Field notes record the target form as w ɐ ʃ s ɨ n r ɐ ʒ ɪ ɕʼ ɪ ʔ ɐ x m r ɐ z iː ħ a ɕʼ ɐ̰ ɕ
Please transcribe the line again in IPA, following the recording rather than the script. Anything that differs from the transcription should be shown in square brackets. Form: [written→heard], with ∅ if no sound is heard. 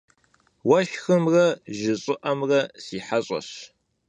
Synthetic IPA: w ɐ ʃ [s→x] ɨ [n→m] r ɐ ʒ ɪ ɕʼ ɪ ʔ ɐ [x→∅] m r ɐ [z→s] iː ħ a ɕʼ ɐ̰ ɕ